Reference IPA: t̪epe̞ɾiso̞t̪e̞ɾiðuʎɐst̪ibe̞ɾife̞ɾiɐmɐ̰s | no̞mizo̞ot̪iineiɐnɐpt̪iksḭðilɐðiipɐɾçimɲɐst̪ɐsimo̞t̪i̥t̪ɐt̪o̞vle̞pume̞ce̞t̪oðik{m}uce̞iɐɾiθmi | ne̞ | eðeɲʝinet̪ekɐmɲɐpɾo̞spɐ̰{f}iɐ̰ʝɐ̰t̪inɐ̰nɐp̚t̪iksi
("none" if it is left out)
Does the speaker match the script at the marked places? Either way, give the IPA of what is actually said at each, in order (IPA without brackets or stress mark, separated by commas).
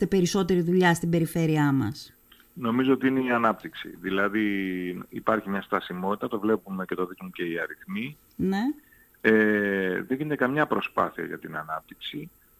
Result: m, θ